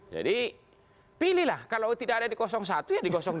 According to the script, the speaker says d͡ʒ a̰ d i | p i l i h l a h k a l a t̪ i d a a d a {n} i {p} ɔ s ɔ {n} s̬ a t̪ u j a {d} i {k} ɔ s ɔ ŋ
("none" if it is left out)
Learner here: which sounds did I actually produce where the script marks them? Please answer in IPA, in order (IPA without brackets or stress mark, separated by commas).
d, k, ŋ, d, k